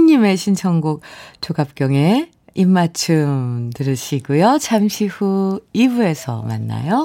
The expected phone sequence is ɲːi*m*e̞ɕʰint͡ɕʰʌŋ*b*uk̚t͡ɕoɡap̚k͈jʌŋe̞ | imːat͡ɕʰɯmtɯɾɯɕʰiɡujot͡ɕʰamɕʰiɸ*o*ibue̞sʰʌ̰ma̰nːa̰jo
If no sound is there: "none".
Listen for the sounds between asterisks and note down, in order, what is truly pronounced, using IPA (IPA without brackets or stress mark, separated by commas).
m, ɡ, u